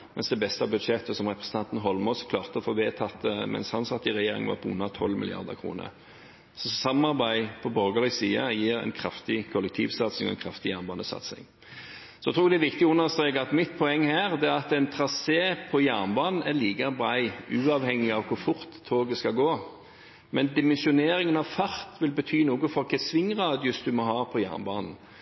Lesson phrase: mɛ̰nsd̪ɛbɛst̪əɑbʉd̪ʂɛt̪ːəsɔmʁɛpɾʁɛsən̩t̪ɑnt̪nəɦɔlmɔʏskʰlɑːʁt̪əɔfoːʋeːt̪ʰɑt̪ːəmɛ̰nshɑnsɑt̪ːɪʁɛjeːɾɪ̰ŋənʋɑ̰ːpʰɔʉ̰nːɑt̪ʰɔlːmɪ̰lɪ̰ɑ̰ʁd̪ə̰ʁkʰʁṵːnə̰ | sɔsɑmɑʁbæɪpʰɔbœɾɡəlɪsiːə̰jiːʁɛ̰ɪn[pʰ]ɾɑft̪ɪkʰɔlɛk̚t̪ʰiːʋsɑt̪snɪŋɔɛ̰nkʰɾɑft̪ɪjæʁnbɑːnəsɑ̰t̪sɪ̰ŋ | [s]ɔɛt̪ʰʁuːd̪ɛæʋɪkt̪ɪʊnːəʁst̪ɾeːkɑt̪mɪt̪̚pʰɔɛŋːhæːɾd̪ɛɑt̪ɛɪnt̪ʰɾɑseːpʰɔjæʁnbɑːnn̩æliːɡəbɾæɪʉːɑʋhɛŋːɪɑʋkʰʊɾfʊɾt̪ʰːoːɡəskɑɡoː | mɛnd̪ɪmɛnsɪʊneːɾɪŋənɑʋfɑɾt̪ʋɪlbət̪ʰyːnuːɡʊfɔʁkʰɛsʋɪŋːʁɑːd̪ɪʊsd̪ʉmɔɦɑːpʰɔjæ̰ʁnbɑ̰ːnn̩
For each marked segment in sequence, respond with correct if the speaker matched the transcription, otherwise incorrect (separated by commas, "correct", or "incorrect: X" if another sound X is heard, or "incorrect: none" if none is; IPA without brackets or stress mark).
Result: incorrect: kʰ, correct